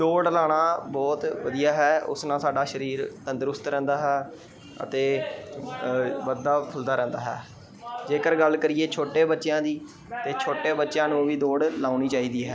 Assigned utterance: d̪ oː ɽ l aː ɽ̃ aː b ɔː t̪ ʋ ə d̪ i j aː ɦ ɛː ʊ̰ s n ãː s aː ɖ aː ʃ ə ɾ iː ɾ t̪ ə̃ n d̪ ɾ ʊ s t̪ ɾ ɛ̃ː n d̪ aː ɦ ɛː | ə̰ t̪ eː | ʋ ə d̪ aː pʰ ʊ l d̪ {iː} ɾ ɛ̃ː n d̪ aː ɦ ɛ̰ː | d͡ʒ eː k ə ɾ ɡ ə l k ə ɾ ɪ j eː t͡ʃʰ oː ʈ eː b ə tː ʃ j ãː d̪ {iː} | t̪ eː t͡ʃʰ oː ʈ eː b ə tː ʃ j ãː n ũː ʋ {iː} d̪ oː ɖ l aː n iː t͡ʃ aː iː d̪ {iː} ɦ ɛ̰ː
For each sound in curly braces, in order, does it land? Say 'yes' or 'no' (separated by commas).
no, yes, yes, yes